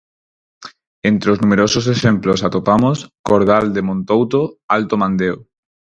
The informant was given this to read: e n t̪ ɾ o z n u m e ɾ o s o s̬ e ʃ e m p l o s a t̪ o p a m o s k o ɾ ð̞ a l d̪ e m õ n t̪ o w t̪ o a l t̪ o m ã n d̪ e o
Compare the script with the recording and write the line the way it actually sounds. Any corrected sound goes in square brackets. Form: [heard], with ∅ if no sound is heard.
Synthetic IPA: e n t̪ ɾ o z n u m e ɾ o s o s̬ e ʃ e m p l o s a t̪ o p a m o s k o ɾ ð̞ a l d̪ e m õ n t̪ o w t̪ o a l t̪ o m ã n d̪ e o

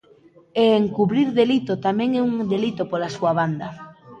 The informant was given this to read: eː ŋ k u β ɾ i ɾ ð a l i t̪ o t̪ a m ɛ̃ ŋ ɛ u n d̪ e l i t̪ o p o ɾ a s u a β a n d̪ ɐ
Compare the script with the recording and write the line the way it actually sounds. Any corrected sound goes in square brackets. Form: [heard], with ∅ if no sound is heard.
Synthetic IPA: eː ŋ k u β ɾ i ɾ ð [e] l i t̪ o t̪ a m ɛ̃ ŋ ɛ u [ŋ] d̪ e l i t̪ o p o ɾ a s u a β a n d̪ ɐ

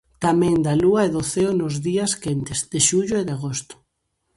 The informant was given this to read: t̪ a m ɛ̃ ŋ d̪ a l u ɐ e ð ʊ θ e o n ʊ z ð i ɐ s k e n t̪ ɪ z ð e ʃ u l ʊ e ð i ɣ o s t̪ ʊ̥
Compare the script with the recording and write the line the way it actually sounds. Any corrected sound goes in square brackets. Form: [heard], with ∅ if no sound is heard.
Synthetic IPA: t̪ a m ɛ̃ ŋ d̪ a l u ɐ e ð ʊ θ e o n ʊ z ð i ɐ s k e n t̪ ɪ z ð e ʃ u [ʎ] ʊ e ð [a] ɣ o s t̪ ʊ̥

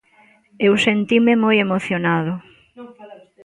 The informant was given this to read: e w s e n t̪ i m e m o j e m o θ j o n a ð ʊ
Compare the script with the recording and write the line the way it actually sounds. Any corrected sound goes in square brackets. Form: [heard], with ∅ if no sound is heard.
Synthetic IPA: e w s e n t̪ i m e m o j e m o θ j o n a ð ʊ

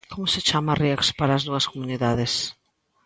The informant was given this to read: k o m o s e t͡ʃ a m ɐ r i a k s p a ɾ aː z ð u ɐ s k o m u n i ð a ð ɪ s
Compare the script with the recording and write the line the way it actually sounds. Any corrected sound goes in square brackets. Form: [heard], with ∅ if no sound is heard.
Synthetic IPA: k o m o s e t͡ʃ a m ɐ r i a k s p a ɾ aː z ð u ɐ s k o m u n i ð a ð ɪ s

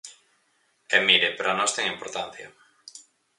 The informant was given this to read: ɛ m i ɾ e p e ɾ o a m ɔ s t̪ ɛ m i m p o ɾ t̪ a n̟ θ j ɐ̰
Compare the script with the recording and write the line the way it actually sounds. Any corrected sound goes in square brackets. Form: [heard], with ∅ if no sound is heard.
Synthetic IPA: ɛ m i ɾ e p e ɾ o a [n] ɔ s t̪ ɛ [ŋ] i m p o ɾ t̪ a n̟ θ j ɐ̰

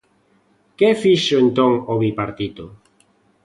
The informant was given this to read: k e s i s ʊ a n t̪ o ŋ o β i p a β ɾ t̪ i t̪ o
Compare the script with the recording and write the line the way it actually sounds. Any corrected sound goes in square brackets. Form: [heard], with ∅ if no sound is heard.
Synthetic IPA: k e [f] i [ʃ] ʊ [e] n t̪ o ŋ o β i p a [∅] ɾ t̪ i t̪ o

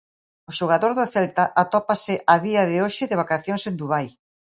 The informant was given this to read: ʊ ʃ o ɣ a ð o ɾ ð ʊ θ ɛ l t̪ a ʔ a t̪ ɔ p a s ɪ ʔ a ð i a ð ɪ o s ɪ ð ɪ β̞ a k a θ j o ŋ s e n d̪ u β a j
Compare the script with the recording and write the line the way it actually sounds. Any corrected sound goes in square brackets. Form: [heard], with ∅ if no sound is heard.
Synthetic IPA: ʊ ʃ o ɣ a ð o ɾ ð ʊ θ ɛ l t̪ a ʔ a t̪ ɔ p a s ɪ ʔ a ð i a ð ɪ o [ʃ] ɪ ð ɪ β̞ a k a θ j o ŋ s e n d̪ u β a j

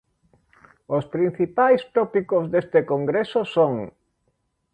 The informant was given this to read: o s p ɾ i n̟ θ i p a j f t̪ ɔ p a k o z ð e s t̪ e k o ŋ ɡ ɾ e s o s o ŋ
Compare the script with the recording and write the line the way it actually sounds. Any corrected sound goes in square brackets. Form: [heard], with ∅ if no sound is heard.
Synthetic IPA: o s p ɾ i n̟ θ i p a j [s] t̪ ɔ p [i] k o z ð e s t̪ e k o ŋ ɡ ɾ e s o s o ŋ

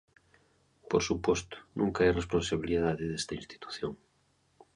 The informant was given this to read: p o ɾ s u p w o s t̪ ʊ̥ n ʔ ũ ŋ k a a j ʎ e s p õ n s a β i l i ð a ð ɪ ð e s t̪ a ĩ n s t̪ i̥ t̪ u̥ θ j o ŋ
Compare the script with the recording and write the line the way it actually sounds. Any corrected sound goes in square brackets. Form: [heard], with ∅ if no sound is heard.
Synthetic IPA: p o ɾ s u p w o s t̪ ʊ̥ n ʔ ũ ŋ k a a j [r] e s p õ n s a β i l i ð a ð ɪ ð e s t̪ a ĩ n s t̪ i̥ t̪ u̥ θ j o ŋ

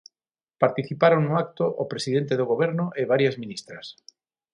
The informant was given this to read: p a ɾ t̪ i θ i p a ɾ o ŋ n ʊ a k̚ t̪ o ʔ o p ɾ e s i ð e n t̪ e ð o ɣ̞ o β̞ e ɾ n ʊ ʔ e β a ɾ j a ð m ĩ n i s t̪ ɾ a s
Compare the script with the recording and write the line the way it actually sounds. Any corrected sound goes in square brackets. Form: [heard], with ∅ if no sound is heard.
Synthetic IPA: p a ɾ t̪ i θ i p a ɾ o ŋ n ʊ a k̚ t̪ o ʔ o p ɾ e s i ð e n t̪ e ð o ɣ̞ o β̞ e ɾ n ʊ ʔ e β a ɾ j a [z] m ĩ n i s t̪ ɾ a s

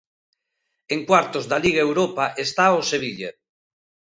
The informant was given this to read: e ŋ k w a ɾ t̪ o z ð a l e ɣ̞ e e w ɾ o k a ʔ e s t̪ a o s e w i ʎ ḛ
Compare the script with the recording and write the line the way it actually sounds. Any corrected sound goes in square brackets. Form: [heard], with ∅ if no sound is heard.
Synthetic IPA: e ŋ k w a ɾ t̪ o z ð a l [i] ɣ̞ [a] e w ɾ o [p] a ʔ e s t̪ a o s e [β] i ʎ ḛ

